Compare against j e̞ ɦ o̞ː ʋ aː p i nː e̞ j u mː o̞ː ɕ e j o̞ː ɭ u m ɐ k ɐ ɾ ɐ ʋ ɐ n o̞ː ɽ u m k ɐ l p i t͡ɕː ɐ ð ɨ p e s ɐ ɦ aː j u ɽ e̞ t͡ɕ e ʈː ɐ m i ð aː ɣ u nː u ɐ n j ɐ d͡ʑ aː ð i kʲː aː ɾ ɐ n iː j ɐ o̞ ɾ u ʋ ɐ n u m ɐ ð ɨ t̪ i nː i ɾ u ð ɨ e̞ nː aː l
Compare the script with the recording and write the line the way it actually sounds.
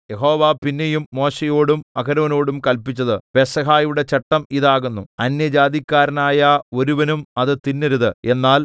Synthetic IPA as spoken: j e̞ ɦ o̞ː ʋ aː p i nː e̞ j u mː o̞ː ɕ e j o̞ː ɽ u m ɐ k ɐ ɾ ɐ ʋ ɐ n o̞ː ɽ u m k ɐ l p i t͡ɕː ɐ ð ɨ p e s ɐ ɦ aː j u ɽ e̞ t͡ɕ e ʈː ɐ m i ð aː ɣ u nː u ɐ n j ɐ d͡ʑ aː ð i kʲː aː ɾ ɐ n aː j ɐ o̞ ɾ u ʋ ɐ n u m ɐ ð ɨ t̪ i nː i ɾ u ð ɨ e̞ nː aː l